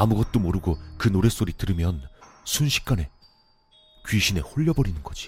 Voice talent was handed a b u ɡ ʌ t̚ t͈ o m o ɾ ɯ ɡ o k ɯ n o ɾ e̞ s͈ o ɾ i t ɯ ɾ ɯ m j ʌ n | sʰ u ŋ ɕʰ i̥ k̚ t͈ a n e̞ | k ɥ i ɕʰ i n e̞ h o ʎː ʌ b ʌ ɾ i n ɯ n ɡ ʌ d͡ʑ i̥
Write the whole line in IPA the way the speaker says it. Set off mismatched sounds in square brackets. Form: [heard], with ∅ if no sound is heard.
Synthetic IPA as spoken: a [m] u ɡ ʌ t̚ t͈ o m o ɾ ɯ ɡ o k ɯ n o ɾ e̞ s͈ o ɾ i t ɯ ɾ ɯ m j ʌ n | sʰ u [n] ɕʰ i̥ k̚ [k͈] a n e̞ | k ɥ i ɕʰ i n e̞ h o ʎː ʌ b ʌ ɾ i n ɯ n ɡ ʌ d͡ʑ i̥